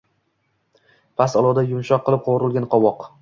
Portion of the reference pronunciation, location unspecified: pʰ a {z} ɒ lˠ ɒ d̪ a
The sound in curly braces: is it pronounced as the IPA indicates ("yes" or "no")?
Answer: no